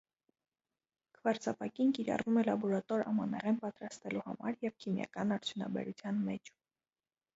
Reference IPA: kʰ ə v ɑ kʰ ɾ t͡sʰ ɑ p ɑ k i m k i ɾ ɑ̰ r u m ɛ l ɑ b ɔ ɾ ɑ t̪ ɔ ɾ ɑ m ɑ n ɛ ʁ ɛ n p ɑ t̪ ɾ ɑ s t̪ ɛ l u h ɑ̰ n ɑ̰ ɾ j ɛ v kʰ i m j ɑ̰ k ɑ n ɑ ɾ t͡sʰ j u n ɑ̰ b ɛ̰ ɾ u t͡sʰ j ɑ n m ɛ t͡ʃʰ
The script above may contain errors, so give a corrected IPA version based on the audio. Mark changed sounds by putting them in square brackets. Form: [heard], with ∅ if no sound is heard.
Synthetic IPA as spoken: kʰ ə v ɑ [∅] ɾ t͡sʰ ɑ p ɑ k i [n] k i ɾ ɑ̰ r u m ɛ l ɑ b ɔ ɾ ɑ t̪ ɔ ɾ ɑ m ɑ n ɛ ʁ ɛ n p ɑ t̪ ɾ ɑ s t̪ ɛ l u h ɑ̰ [m] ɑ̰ ɾ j ɛ v kʰ i m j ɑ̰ k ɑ n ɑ ɾ t͡sʰ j u n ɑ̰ b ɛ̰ ɾ u t͡sʰ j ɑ n m ɛ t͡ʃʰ